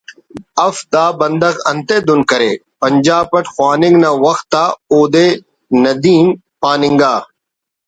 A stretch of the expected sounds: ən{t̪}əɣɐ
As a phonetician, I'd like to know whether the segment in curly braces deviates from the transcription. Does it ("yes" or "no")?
yes